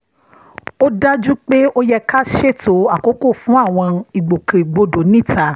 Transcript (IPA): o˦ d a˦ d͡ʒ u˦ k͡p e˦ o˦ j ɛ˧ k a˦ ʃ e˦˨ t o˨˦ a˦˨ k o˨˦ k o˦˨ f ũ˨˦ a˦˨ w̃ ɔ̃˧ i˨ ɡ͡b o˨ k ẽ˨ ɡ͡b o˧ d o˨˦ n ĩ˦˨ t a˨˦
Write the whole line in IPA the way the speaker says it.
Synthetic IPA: o˦ d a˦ d͡ʒ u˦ k͡p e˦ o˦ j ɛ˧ k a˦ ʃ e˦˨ t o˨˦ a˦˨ k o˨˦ k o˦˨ f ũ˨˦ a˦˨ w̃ ɔ̃˧ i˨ ɡ͡b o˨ k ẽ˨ ɡ͡b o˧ d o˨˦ n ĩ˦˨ t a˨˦